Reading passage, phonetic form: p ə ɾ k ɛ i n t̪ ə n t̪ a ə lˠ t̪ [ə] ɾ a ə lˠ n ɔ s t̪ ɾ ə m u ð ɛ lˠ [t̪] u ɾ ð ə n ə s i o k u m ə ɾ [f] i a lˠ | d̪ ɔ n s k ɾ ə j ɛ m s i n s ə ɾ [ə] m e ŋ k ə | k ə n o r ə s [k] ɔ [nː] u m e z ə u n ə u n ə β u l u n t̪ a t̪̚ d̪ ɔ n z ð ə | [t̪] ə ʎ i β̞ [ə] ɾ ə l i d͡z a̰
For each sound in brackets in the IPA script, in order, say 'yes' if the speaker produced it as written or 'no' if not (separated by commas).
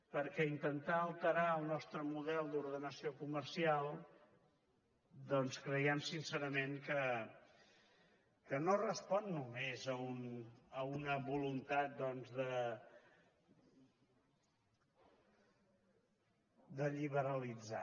yes, no, no, yes, no, yes, no, yes